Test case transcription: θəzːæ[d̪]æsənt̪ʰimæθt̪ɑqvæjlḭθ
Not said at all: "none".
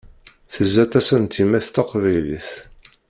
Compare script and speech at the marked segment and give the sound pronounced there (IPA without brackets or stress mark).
t̪